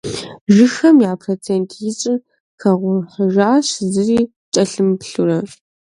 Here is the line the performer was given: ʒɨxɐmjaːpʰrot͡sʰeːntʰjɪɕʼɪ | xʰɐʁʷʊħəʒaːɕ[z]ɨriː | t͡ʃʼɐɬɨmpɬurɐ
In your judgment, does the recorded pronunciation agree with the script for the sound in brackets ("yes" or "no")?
yes